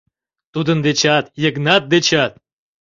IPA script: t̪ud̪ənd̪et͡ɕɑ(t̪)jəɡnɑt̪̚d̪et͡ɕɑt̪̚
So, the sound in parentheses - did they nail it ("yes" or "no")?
yes